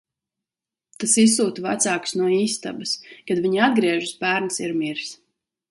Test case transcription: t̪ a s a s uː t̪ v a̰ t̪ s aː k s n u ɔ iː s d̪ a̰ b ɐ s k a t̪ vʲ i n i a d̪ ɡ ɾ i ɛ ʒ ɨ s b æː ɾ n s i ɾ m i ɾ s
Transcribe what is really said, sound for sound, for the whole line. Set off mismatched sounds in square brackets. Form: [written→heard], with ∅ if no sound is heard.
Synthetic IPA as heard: t̪ a s [a→i] s uː t̪ v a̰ t̪ s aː k s n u ɔ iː s [d̪→t̪] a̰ b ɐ s k a [t̪→d̪] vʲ i [n→ɲ] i a d̪ ɡ ɾ i ɛ ʒ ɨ s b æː ɾ n s i ɾ m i ɾ s